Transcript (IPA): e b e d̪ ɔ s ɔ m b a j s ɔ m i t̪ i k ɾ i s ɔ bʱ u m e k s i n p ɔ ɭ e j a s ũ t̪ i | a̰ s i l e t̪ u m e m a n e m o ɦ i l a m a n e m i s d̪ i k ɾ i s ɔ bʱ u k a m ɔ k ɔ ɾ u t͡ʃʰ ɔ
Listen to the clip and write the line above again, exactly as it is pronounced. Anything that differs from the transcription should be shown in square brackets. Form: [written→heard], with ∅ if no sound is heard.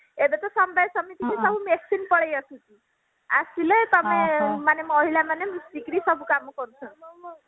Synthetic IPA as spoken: e b e [d̪→t̪] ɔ s ɔ m b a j s ɔ m i t̪ i k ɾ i s ɔ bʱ u m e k s i n p ɔ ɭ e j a s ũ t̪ i | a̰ s i l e t̪ [u→ɔ] m e m a n e m [o→ɔ] ɦ i l a m a n e m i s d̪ i k ɾ i s ɔ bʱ u k a m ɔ k ɔ ɾ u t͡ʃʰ ɔ